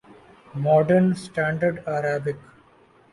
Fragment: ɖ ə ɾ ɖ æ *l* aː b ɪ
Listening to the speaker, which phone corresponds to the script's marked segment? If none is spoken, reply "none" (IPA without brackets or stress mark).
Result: ɾ